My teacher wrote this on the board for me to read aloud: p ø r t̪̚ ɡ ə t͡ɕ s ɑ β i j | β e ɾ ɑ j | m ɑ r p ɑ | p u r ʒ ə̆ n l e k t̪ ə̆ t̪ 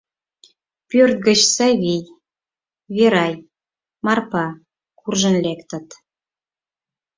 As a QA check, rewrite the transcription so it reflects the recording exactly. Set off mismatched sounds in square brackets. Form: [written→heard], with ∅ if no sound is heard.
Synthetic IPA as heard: p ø r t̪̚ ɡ ə t͡ɕ s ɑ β i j | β e ɾ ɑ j | m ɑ r p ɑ | [p→k] u r ʒ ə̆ n l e k t̪ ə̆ t̪